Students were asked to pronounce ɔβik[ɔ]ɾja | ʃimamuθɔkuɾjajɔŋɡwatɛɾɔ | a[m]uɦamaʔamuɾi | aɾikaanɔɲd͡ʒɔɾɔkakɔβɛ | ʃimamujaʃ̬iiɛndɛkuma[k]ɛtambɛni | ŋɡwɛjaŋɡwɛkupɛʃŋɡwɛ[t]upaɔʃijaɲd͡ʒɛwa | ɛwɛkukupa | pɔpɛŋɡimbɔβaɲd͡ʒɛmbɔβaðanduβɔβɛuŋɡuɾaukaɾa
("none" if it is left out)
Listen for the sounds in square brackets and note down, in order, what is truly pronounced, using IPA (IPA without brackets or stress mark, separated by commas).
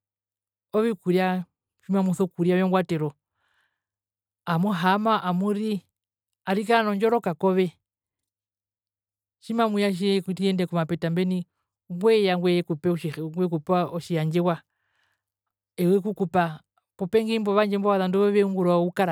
u, m, p, k